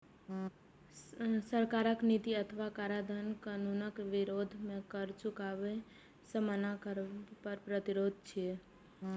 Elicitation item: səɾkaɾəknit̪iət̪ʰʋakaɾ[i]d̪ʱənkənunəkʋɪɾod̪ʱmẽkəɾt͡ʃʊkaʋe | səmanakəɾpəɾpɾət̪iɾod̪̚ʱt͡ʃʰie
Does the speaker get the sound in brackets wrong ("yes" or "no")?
yes